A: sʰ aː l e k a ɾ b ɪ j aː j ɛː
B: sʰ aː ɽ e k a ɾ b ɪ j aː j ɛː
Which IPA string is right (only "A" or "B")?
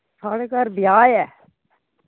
B